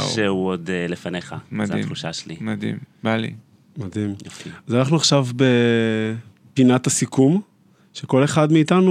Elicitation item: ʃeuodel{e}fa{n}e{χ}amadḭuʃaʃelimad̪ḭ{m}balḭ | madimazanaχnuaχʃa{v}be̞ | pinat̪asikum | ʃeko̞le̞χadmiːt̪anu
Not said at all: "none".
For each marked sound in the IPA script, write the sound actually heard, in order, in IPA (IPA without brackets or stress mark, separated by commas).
e, n, χ, m, v